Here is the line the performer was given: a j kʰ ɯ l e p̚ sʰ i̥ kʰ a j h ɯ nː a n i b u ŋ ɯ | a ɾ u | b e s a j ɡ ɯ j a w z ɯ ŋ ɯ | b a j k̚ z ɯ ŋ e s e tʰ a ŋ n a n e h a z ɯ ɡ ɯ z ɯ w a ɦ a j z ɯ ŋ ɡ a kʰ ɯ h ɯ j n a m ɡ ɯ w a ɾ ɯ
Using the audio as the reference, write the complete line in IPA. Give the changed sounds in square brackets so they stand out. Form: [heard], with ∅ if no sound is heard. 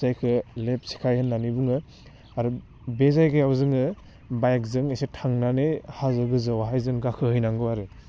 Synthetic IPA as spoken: a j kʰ ɯ l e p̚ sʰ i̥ kʰ a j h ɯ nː a n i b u ŋ ɯ | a ɾ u | b e [z] a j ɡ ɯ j a w z ɯ ŋ ɯ | b a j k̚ z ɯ ŋ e s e tʰ a ŋ n a n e h a z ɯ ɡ ɯ z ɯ w a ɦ a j z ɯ ŋ ɡ a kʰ ɯ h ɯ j n a [ŋ] ɡ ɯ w a ɾ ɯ